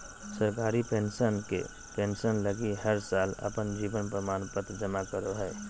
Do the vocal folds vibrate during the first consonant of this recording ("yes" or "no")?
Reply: no